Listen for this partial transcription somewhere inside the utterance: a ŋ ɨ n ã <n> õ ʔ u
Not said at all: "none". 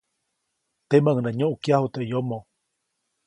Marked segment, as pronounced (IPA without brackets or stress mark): ɲ